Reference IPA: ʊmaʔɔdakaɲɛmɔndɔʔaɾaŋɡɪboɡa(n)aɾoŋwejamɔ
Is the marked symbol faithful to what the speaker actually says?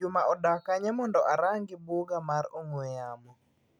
no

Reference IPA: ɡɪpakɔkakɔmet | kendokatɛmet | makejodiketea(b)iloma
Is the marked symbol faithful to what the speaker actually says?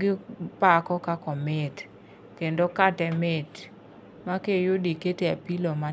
no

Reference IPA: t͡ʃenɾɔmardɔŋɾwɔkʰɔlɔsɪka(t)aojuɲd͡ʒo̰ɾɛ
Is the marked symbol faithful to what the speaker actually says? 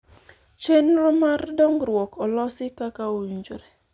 no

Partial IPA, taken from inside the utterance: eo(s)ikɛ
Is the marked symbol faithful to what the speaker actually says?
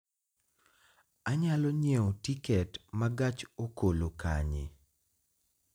no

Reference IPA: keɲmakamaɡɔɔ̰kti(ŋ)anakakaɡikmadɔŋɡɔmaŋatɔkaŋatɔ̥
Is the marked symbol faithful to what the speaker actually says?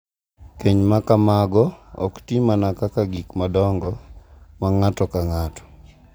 no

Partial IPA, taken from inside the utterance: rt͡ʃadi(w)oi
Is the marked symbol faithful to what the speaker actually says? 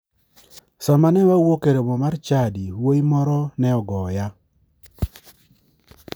yes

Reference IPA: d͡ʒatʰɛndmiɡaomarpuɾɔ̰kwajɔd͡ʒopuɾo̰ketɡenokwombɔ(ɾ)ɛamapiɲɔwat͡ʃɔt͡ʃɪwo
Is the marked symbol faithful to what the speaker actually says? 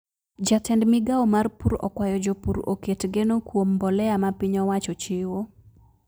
no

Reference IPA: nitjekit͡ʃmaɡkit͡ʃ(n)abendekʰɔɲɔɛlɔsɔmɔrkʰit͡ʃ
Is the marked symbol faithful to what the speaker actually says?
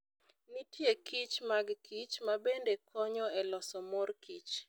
no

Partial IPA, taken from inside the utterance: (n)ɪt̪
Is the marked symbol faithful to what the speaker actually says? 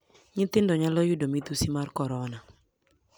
no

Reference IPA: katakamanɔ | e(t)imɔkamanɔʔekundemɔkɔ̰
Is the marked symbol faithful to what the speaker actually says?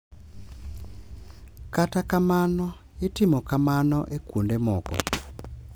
yes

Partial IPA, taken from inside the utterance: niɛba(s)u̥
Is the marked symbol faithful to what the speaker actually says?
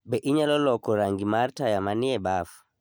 no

